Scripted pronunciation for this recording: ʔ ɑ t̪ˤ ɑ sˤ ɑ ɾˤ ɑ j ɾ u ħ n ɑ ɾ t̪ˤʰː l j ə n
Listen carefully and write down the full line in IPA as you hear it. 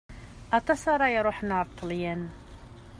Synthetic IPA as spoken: ʔ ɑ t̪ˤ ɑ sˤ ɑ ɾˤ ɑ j ɾ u ħ n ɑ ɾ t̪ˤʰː l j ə n